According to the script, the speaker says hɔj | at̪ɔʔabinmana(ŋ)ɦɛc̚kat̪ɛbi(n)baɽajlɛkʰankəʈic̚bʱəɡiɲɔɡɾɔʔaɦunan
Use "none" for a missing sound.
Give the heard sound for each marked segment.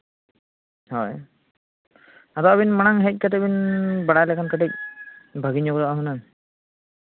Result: ŋ, n

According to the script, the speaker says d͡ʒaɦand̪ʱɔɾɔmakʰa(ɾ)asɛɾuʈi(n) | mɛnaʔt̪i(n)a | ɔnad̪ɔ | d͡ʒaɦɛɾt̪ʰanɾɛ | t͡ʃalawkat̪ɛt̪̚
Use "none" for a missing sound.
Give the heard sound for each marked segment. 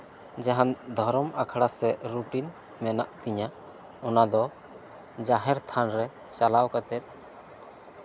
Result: ɽ, n, ɲ

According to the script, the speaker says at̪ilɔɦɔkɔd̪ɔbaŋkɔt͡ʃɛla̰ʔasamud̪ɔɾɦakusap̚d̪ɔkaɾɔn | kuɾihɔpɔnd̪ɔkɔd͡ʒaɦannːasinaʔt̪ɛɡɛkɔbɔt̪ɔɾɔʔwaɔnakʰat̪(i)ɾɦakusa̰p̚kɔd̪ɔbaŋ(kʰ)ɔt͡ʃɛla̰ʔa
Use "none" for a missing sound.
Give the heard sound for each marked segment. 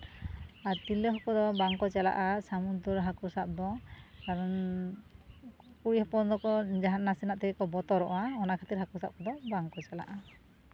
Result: i, k

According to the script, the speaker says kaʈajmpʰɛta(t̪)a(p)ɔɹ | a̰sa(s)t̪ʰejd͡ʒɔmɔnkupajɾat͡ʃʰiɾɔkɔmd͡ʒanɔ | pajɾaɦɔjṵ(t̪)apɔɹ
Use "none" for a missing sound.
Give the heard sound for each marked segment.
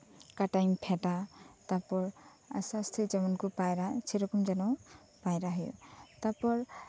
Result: t̪, p, s, t̪

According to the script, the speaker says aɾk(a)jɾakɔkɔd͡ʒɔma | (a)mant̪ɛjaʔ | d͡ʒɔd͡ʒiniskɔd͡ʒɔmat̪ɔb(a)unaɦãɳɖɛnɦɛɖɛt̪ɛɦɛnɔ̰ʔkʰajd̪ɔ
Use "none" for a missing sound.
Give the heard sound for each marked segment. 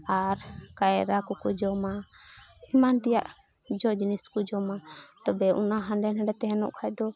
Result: a, i, ɛ

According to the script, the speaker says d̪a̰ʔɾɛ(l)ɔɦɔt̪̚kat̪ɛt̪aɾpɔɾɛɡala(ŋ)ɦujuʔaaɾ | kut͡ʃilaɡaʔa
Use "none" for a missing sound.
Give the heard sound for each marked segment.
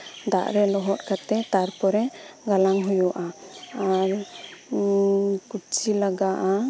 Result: l, ŋ

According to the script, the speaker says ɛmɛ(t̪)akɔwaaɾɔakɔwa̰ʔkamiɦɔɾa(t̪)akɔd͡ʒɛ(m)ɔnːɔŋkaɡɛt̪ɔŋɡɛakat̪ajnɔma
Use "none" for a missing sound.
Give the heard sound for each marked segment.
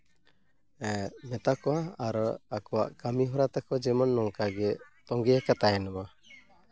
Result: t̪, t̪, m

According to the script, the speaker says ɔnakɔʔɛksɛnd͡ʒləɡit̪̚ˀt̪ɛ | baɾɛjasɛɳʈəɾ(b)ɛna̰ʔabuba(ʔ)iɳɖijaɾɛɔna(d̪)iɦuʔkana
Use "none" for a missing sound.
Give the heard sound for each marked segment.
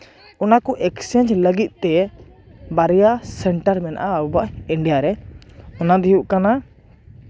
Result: m, ʔ, d̪

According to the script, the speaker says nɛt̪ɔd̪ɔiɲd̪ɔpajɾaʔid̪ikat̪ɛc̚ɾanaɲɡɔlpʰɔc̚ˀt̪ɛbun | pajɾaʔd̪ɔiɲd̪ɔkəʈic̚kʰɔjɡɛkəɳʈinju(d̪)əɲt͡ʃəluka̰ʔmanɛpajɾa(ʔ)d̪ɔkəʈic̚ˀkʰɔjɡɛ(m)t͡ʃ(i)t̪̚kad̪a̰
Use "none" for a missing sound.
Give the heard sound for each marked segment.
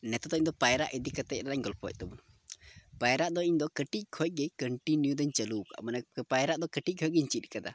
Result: d̪, ʔ, ɲ, i

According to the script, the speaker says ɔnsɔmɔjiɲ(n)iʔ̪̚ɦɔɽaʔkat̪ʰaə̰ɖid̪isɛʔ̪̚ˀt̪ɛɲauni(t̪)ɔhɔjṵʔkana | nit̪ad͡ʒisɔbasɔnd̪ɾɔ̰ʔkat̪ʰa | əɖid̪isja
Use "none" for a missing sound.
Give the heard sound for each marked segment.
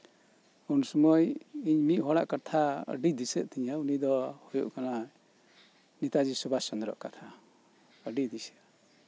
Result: m, d̪

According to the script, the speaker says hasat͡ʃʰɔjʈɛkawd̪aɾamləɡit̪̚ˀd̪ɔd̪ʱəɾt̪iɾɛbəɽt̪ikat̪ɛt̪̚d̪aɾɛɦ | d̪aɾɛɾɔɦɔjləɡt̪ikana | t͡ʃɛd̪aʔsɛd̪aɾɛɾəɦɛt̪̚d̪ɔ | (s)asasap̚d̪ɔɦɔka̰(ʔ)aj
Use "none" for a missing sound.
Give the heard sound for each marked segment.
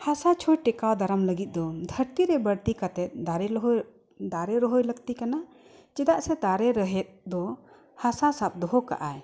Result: h, ʔ

